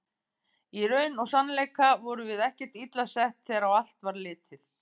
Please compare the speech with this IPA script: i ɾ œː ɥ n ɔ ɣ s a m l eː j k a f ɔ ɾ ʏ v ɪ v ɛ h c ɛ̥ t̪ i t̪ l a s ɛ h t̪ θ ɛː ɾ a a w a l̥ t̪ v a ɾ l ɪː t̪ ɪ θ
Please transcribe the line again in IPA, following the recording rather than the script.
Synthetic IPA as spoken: i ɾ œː ɥ n ɔ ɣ s a n l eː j k a v ɔ ɾ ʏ v ɪ ð ɛ h c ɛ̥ t̪ i t̪ l a s ɛ h t̪ θ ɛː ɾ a a w a l̥ t̪ v a ɾ l ɪː t̪ ɪ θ